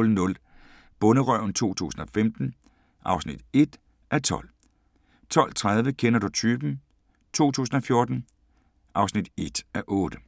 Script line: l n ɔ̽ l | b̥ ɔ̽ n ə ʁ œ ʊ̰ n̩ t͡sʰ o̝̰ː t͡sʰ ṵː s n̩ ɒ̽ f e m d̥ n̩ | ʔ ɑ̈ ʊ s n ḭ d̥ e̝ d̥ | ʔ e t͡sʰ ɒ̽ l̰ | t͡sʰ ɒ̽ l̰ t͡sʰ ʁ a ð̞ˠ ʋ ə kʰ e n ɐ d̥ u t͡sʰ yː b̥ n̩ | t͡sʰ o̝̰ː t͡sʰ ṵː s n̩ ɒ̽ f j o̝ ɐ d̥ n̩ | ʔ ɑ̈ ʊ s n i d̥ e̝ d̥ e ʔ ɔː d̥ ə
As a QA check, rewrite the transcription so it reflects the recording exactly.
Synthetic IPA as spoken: l n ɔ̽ l | b̥ ɔ̽ n ə ʁ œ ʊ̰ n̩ t͡sʰ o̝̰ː t͡sʰ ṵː s n̩ ɒ̽ f e m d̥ n̩ | ʔ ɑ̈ ʊ s n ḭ d̥ e̝ d̥ | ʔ æ t͡sʰ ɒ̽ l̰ | t͡sʰ ɒ̽ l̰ t͡sʰ ʁ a ð̞ˠ ʋ ə kʰ e n ɐ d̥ u t͡sʰ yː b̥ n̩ | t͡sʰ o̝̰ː t͡sʰ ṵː s n̩ ɒ̽ f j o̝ ɐ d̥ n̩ | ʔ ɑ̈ ʊ s n i d̥ e̝ d̥ æ ʔ ɔː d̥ ə